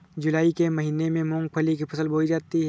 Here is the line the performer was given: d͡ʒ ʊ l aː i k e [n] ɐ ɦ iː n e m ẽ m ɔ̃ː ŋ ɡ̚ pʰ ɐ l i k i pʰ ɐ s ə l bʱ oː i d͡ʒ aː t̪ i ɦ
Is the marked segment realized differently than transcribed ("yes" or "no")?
yes